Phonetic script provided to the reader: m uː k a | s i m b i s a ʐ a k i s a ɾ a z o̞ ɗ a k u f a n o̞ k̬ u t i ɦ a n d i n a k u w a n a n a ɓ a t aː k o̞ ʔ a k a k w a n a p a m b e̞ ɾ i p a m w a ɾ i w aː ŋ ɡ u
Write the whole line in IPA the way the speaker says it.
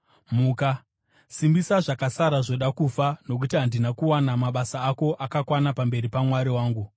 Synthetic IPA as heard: m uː k a | s i m b i s a ʐ a k a s a ɾ a ʐ o̞ ɗ a k u f a n o̞ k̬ u t i ɦ a n d i n a k u w a n a m a ɓ a s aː k o̞ ʔ a k a k w a n a p a m b e̞ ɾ i p a m w a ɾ i w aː ŋ ɡ u